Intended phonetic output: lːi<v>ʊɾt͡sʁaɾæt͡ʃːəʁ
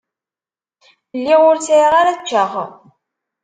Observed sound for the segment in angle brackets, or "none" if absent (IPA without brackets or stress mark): ʁ